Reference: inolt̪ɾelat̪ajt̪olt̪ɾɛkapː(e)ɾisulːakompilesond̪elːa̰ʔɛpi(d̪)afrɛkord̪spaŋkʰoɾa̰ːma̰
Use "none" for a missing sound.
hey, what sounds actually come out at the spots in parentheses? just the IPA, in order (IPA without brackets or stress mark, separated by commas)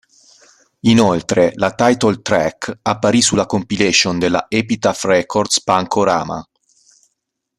a, t̪